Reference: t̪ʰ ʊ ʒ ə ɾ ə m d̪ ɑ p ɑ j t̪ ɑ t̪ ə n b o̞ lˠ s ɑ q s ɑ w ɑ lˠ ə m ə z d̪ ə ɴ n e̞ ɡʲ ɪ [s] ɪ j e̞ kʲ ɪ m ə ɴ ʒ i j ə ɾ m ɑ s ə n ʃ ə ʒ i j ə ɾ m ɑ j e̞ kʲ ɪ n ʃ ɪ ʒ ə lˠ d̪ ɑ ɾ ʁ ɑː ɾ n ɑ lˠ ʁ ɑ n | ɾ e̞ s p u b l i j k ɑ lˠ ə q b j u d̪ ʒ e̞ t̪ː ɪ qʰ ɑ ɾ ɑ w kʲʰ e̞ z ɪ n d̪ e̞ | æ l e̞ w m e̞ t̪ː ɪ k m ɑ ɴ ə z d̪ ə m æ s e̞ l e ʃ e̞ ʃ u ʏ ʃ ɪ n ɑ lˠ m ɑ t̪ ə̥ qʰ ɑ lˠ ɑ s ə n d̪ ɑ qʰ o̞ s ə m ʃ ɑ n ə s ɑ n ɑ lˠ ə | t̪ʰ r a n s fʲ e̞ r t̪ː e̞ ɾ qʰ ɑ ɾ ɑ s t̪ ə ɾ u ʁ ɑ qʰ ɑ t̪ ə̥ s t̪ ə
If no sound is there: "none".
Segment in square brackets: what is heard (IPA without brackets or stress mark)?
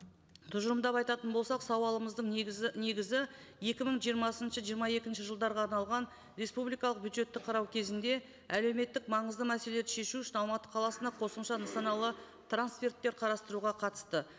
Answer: z